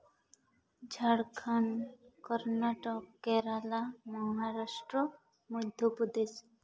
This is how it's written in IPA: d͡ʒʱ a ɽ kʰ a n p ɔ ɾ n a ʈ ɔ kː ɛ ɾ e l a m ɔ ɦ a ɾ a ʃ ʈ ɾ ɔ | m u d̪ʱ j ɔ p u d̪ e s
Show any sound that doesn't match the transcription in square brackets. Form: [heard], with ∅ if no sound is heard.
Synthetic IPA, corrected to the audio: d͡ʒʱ a ɽ kʰ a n [k] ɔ ɾ n a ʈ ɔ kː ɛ ɾ [a] l a m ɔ ɦ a ɾ a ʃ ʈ ɾ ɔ | m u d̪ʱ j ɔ p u d̪ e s